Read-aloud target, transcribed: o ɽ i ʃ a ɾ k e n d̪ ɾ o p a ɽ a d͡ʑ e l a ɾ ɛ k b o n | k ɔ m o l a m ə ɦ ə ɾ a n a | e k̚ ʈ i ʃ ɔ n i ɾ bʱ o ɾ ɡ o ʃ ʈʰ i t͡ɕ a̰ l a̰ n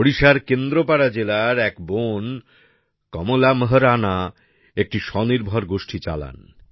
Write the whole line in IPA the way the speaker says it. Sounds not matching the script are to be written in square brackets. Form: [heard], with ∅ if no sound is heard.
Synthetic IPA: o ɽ i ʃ a ɾ k e n d̪ ɾ o p a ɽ a d͡ʑ e l a ɾ ɛ k b o n | k ɔ m o l a m ə ɦ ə ɾ a n a | e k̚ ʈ i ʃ ɔ n i ɾ bʱ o ɾ ɡ o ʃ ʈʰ i t͡ɕ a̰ l a̰ n